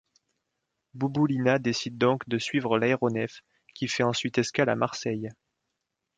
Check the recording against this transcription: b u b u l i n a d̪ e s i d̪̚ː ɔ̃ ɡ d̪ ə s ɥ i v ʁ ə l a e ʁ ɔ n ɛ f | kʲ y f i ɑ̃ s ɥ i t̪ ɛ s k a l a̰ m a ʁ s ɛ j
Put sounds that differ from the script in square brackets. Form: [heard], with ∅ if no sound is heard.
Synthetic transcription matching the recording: b u b u l i n a d̪ e s i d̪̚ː ɔ̃ [k] d̪ ə s ɥ i v ʁ ə l a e ʁ ɔ n ɛ f | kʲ [i] f [ɛ] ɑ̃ s ɥ i t̪ ɛ s k a l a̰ m a ʁ s ɛ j